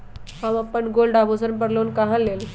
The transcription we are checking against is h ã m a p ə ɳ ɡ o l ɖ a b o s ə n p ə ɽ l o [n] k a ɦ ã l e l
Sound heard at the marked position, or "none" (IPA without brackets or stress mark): n